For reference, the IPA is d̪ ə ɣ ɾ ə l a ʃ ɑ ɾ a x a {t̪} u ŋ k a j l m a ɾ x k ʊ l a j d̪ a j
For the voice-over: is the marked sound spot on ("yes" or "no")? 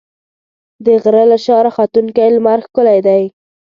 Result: yes